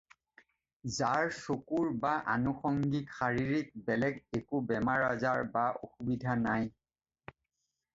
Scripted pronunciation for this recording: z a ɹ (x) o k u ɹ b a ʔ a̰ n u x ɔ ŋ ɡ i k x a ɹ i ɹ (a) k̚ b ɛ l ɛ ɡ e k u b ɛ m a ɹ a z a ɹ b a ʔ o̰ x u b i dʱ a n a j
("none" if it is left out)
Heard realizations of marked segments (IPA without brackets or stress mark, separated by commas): s, i